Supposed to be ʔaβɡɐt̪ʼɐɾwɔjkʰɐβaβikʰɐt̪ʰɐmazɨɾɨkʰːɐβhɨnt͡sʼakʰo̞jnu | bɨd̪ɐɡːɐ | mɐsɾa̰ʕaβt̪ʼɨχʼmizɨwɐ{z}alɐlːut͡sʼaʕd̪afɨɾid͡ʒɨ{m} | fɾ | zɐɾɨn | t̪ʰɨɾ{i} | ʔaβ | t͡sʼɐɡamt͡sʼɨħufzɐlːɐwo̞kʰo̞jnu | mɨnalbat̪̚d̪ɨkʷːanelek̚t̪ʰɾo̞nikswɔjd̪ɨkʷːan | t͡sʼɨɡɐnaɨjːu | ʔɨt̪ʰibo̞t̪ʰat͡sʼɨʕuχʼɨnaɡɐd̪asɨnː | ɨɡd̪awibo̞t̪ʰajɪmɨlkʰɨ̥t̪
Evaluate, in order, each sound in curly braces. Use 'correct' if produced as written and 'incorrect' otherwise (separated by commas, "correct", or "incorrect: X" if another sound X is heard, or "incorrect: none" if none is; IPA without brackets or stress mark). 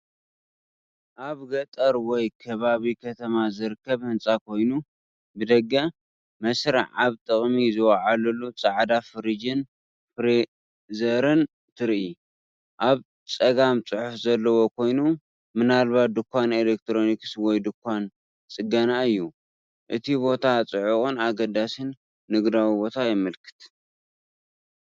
incorrect: ʕ, incorrect: n, correct